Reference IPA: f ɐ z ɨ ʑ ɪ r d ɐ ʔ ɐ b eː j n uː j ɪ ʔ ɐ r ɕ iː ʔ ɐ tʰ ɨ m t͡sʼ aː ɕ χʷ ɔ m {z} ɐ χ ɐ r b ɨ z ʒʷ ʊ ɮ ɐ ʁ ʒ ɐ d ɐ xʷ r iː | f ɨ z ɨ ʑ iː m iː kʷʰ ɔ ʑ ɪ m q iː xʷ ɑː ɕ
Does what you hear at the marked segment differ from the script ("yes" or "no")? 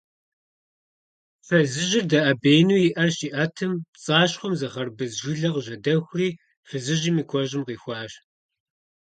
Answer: no